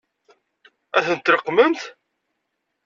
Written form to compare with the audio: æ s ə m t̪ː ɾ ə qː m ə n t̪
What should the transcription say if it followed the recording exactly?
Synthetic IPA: æ θ ə n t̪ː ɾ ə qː m ə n t̪

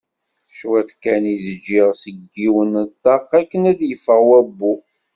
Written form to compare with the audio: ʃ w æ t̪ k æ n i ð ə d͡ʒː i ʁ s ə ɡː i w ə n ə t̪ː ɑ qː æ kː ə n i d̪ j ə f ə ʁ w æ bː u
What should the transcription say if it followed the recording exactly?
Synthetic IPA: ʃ w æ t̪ k æ n i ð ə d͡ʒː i ʁ s ə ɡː i w ə n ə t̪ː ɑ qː æ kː ə n æ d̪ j ə f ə ʁ w æ bː u

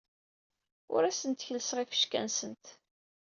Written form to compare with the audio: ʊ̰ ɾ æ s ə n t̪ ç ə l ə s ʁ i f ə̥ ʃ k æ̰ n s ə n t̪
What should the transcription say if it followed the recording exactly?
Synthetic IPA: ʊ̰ ɾ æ s ə n t̪ ç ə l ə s ʁ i f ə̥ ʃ k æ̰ n s ə n t̪

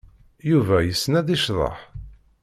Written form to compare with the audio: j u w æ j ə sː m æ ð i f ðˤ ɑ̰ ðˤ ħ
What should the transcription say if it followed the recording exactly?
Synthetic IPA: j u v æ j ə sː n æ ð i ʃ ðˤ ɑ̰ ħ

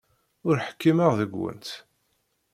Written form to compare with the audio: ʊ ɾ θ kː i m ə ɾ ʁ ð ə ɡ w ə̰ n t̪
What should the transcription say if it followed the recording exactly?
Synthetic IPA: ʊ ɾ ħ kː i m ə ʁ ð ə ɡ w ə̰ n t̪

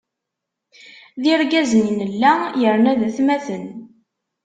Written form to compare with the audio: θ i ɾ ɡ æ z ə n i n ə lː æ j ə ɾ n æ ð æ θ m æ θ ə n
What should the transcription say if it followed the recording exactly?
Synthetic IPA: ð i ɾ ɡ æ z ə n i n ə lː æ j ə ɾ n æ ð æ θ m æ θ ə n

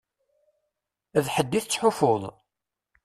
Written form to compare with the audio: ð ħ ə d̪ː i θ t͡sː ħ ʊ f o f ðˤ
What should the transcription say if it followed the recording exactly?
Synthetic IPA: ð ħ ə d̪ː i θ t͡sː ħ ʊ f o ðˤ

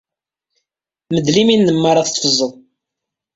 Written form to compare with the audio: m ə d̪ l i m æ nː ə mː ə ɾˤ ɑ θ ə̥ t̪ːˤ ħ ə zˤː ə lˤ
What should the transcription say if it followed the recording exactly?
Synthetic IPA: m ə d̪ l i m i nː ə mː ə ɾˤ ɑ θ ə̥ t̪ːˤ f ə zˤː ə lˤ

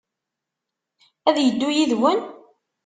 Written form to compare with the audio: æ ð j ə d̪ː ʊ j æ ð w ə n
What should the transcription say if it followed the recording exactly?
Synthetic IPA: æ ð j ə d̪ː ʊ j i ð w ə n

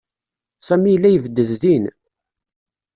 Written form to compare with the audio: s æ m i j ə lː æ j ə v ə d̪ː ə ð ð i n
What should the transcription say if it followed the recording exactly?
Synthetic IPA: s æ m i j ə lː æ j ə v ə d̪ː ə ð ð i n

